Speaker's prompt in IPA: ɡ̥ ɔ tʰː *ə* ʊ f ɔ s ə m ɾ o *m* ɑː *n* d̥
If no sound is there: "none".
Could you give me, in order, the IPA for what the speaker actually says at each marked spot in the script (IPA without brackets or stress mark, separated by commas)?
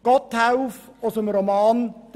a, m, n